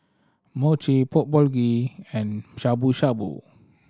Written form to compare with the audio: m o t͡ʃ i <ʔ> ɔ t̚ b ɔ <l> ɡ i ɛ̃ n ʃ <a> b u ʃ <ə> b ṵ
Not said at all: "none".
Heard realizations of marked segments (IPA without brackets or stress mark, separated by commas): p, l, a, a